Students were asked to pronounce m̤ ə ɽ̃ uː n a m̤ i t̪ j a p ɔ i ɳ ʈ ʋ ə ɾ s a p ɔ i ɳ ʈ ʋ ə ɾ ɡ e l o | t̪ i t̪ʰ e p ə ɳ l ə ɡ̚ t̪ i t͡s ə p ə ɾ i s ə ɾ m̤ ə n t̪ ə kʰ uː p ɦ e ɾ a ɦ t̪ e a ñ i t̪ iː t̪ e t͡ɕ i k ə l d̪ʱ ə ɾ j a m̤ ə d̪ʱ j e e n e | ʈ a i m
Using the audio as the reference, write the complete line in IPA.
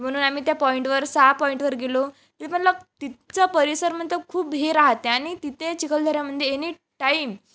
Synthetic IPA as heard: m̤ ə ɽ̃ uː n a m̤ i t̪ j a p ɔ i ɳ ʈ ʋ ə ɾ s a p ɔ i ɳ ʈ ʋ ə ɾ ɡ e l o | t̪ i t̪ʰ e p ə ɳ l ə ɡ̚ t̪ i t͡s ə p ə ɾ i s ə ɾ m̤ ə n t̪ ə kʰ uː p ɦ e ɾ a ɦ t̪ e a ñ i t̪ i t̪ e t͡ɕ i k ə l d̪ʱ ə ɾ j a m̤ ə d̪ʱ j e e n i | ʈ a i m